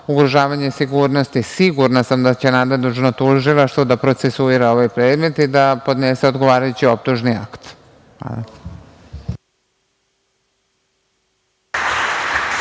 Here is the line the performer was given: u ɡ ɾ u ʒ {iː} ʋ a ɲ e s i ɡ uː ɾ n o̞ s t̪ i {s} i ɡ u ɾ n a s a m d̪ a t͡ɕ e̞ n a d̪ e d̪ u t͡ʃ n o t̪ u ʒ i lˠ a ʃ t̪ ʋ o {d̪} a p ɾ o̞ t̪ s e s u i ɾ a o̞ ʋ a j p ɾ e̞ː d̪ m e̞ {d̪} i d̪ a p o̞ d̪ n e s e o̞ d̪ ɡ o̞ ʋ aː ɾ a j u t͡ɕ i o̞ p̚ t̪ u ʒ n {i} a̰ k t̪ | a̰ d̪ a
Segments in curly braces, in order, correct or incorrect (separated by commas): incorrect, correct, correct, incorrect, correct